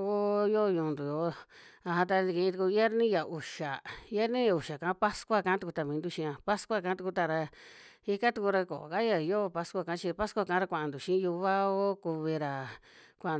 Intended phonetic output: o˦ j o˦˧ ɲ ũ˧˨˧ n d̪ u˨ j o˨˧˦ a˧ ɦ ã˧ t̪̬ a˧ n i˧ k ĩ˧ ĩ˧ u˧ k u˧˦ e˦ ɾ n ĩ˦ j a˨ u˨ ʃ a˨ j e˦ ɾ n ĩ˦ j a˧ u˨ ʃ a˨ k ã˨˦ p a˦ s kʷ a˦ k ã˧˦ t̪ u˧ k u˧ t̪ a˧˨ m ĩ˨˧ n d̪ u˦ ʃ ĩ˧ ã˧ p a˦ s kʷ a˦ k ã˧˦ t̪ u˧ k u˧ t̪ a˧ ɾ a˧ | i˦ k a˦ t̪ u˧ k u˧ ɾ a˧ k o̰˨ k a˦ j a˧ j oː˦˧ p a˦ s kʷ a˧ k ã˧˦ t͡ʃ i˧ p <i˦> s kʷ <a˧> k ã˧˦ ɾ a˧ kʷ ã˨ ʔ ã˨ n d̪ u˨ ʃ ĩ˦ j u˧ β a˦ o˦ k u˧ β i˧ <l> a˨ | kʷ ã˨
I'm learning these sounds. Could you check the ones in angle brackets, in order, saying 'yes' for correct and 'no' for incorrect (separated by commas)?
no, yes, no